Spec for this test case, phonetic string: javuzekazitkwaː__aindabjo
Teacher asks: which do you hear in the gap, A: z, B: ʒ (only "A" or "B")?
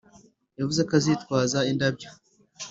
A